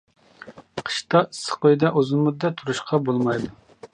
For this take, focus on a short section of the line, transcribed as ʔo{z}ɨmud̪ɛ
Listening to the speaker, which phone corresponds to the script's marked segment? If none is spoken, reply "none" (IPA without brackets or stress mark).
z